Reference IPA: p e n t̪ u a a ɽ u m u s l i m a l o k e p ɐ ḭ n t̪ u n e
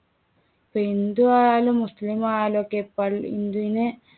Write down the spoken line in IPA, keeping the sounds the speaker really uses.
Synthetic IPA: p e n d̪ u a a l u m u s l i m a l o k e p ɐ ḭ n d̪ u n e